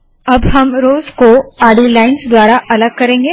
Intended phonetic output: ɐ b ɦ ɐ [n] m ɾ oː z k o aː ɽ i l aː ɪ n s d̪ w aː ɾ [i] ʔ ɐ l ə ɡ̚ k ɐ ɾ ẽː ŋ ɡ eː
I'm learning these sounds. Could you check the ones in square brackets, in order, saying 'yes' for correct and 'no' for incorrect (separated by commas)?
no, no